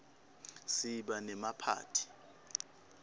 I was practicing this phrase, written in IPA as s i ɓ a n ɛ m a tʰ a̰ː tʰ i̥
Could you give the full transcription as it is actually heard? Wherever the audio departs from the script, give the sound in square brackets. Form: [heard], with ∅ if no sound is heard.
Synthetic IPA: s i ɓ a n ɛ m a [pʰ] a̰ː tʰ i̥

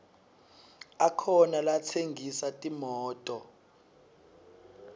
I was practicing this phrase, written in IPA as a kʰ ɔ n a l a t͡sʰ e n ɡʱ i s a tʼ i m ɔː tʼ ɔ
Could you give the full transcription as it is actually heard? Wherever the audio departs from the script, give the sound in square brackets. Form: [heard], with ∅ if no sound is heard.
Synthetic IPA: a kʰ ɔ n a l a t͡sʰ e [ŋ] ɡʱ i s a tʼ i m ɔː tʼ ɔ

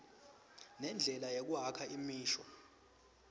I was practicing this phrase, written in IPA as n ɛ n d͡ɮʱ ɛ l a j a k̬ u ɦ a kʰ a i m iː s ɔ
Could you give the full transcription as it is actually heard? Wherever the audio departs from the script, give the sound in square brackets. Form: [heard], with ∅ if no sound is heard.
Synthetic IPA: n ɛ n d͡ɮʱ ɛ l a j [e] k̬ u ɦ a kʰ a i m iː [ʃ] ɔ

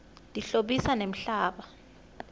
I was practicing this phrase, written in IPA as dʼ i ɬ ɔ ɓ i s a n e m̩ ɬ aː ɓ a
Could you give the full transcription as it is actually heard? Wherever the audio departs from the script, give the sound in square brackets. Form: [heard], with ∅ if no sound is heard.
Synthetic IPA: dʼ i ɬ [o] ɓ i s a n e m̩ ɬ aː ɓ a

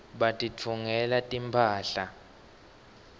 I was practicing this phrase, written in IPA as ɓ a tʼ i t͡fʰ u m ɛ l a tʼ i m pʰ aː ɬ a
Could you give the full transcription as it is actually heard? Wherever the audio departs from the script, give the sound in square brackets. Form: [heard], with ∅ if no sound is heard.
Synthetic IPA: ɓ a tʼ i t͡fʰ u [ŋ] ɛ l a tʼ i m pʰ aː ɬ a

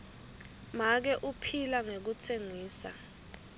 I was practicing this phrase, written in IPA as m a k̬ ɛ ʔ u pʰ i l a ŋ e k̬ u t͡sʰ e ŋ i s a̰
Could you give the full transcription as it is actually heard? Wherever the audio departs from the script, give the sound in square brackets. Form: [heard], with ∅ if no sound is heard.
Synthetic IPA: m a k̬ ɛ ʔ u pʰ i l a ŋ e k̬ u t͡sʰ e ŋ [iː] s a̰

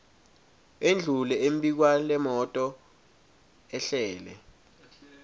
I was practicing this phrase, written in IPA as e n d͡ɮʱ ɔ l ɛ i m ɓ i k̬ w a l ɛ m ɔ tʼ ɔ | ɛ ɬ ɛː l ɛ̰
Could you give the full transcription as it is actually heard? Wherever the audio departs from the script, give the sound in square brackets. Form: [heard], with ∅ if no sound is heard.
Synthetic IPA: e n d͡ɮʱ [u] l ɛ [e] m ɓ i k̬ w a l ɛ m ɔ tʼ ɔ | ɛ ɬ ɛː l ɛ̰

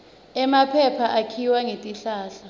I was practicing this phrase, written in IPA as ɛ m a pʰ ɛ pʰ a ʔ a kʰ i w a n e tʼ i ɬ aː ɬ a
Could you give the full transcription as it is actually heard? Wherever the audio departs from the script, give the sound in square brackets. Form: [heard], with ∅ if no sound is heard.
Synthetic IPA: ɛ m a pʰ ɛ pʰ a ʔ a kʰ i w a [ŋ] e tʼ i ɬ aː ɬ a

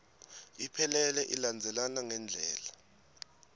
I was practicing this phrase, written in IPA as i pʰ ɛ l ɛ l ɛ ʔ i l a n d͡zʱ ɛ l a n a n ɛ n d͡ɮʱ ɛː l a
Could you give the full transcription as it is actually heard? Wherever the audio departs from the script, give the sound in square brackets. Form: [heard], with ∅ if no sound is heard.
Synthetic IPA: i pʰ ɛ l ɛ l ɛ ʔ i l a n d͡zʱ ɛ l a n a [ŋ] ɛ n d͡ɮʱ ɛː l a

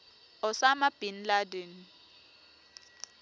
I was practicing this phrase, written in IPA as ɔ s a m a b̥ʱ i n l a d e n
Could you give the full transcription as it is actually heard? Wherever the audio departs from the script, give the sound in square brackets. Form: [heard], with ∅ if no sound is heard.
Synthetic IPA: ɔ s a m a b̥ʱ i n l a d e n

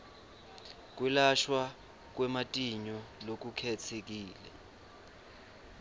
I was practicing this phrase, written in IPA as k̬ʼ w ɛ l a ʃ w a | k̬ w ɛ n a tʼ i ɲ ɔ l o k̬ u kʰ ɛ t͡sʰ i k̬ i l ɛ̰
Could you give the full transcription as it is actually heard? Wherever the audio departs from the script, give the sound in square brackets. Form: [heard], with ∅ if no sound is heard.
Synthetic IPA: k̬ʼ w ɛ l a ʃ w a | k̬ w ɛ [m] a tʼ i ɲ ɔ l o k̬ u kʰ ɛ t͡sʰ [e] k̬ [iː] l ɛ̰

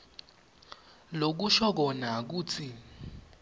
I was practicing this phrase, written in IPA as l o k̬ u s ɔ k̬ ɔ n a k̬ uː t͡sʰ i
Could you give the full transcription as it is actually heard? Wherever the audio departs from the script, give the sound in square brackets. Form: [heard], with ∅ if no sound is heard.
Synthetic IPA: l o k̬ u [ʃ] ɔ k̬ ɔ n a k̬ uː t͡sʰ i

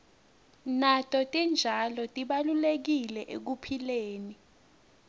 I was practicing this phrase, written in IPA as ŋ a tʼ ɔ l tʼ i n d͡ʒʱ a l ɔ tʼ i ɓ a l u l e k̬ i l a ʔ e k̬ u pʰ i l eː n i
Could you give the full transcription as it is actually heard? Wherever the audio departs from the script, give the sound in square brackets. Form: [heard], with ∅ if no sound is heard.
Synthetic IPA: [n] a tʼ ɔ [∅] tʼ i n d͡ʒʱ a l ɔ tʼ i ɓ a l u l e k̬ i l [ɛ] ʔ e k̬ u pʰ i l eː n i

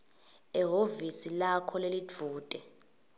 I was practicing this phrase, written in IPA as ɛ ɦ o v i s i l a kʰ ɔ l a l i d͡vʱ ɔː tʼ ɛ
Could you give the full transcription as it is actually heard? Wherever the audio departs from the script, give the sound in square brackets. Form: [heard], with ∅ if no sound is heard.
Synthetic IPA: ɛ ɦ o v i s i l a kʰ ɔ l [e] l i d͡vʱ [uː] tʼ ɛ

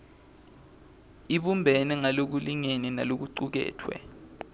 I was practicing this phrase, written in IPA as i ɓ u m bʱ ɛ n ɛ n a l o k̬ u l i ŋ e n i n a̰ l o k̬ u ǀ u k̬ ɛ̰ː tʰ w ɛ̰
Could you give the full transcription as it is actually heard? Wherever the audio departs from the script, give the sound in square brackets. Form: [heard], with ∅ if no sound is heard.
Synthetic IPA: i ɓ u m bʱ ɛ n ɛ [ŋ] a l o k̬ u l i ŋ e n i n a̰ l o k̬ u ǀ u k̬ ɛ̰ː tʰ w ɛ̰

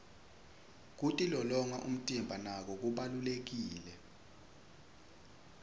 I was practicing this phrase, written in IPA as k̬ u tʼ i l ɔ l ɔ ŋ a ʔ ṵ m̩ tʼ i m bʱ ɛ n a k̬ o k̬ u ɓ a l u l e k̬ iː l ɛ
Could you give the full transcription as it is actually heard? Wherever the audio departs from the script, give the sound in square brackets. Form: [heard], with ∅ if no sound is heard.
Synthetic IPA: k̬ u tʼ i l ɔ l ɔ ŋ a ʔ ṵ m̩ tʼ i m bʱ [a] n a k̬ [ɔ] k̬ u ɓ a l u l e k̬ iː l ɛ

